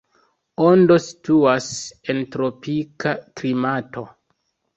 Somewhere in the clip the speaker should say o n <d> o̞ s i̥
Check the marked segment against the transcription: correct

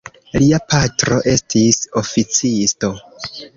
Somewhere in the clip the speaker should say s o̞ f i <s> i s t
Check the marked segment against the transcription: incorrect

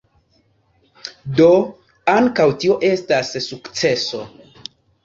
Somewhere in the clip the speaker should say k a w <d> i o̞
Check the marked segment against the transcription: incorrect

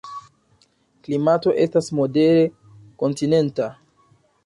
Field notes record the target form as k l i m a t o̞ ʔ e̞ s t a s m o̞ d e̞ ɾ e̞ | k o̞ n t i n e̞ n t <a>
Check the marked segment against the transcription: correct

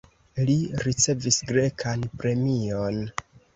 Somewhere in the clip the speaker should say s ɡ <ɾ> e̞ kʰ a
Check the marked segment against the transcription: correct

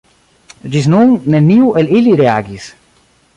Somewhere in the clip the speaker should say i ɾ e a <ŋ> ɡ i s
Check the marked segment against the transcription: incorrect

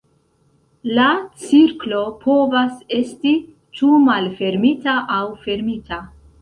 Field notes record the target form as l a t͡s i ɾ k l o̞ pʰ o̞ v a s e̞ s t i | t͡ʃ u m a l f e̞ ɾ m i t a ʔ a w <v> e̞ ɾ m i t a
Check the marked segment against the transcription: incorrect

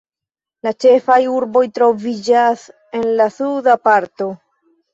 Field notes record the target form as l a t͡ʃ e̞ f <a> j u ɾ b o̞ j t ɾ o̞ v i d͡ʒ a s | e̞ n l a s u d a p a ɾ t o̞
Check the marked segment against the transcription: correct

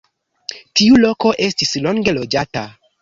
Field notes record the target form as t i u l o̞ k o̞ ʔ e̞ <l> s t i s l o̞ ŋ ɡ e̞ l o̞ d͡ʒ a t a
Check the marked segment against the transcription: incorrect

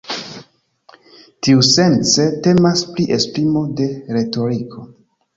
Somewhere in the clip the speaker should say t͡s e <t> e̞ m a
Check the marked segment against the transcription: correct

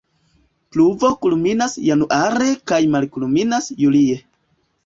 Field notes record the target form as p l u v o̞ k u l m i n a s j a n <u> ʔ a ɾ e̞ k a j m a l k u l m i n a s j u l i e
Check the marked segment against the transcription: correct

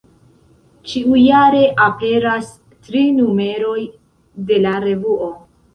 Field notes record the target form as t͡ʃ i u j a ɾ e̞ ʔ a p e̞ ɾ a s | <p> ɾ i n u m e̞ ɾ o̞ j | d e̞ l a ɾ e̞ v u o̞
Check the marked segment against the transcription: incorrect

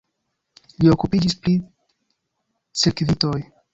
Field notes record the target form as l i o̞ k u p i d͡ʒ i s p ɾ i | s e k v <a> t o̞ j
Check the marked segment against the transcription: incorrect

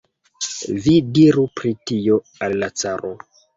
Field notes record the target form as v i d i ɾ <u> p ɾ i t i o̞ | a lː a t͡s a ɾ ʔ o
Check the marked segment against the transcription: correct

